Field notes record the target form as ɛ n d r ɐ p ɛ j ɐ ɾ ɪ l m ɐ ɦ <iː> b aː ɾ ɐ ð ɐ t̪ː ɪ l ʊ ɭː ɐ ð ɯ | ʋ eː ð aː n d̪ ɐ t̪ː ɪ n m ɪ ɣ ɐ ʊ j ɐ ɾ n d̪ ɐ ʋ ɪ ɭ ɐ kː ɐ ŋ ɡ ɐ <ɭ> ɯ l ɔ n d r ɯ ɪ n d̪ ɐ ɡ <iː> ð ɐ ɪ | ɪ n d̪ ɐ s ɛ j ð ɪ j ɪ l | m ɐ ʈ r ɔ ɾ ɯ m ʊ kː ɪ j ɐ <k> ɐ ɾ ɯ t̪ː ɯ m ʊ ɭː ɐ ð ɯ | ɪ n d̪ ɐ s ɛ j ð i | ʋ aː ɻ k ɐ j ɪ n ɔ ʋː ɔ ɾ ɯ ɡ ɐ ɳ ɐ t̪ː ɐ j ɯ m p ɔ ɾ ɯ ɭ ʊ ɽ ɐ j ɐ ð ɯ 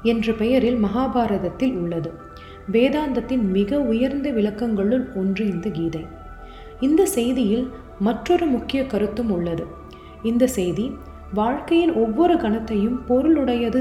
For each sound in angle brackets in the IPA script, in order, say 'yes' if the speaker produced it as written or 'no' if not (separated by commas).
no, yes, yes, yes